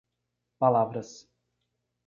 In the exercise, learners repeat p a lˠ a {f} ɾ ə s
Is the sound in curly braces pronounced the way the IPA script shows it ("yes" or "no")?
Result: no